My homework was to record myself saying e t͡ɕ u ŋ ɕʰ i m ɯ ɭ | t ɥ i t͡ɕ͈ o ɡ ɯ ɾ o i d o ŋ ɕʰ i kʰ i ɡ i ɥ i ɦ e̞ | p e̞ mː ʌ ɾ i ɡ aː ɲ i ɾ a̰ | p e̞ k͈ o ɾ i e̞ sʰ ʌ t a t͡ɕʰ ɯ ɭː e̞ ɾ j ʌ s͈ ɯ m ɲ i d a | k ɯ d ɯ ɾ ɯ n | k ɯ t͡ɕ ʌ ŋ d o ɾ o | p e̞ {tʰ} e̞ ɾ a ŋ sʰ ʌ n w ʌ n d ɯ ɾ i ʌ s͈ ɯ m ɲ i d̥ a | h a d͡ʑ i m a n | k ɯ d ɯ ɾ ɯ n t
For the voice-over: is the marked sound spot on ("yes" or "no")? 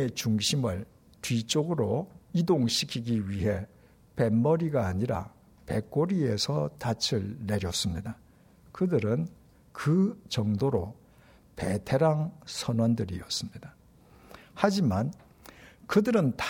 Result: yes